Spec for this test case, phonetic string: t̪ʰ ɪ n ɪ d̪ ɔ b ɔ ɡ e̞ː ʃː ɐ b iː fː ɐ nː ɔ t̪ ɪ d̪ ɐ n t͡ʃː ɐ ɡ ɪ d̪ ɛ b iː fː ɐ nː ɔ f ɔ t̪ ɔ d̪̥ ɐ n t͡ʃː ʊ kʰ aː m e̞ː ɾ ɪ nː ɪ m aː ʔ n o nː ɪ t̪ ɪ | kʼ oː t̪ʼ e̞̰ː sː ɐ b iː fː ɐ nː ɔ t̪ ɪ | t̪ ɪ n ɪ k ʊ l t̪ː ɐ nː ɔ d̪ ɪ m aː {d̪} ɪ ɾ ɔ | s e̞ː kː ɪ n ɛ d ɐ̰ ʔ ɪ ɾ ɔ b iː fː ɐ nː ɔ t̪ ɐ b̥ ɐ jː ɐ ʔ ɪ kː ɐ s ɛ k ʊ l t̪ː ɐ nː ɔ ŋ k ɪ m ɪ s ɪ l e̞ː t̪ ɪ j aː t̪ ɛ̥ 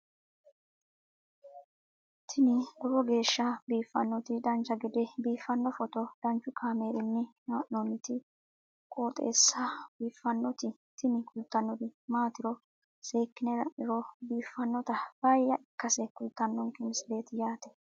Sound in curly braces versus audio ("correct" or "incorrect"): incorrect